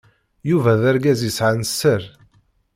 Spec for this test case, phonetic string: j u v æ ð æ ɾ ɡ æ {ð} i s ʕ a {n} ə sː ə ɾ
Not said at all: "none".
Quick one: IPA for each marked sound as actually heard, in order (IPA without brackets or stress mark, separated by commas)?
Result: z, n